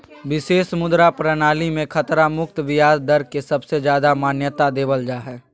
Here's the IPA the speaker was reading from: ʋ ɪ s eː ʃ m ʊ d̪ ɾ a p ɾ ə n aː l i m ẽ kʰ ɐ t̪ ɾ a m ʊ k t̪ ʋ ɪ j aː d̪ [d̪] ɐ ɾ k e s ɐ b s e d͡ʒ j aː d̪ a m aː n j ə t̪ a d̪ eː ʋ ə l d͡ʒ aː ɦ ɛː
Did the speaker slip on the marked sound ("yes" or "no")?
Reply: no